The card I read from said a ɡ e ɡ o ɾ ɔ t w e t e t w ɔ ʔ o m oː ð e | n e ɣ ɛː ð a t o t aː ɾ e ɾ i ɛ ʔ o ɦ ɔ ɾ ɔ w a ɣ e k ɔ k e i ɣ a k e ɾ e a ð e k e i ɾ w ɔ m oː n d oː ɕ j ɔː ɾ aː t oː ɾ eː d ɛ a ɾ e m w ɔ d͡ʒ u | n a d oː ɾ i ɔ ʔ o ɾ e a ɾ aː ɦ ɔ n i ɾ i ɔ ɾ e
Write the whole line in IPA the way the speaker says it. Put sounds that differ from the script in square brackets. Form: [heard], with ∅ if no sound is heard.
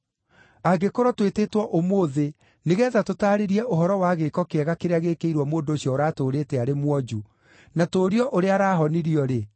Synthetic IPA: a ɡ e [k] o ɾ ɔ t w e t e t w ɔ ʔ o m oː ð e | n e ɣ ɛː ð a t o t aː ɾ e ɾ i ɛ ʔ o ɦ ɔ ɾ ɔ w a ɣ e k ɔ k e [ɛ] ɣ a k e ɾ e a [ɣ] e k e i ɾ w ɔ m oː n d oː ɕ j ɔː ɾ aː t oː ɾ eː [t] ɛ a ɾ e m w ɔ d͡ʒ u | n a [t] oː ɾ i ɔ ʔ o ɾ e a ɾ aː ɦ ɔ n i ɾ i ɔ ɾ e